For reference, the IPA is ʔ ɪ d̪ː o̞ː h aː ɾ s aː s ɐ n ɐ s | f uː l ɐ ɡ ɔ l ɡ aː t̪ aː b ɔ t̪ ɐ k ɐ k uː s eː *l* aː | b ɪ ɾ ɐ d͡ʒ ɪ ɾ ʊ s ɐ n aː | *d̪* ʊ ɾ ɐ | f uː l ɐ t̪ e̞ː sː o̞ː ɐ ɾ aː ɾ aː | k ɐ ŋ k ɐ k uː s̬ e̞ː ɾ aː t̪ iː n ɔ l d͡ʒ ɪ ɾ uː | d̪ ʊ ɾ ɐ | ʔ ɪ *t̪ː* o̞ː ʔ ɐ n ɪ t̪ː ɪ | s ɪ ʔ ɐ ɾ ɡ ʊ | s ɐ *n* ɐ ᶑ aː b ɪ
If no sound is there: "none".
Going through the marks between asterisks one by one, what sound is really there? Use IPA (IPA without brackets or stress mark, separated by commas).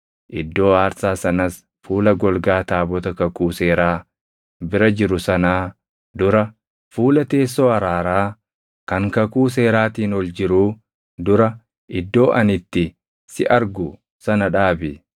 ɾ, d̪, d̪ː, n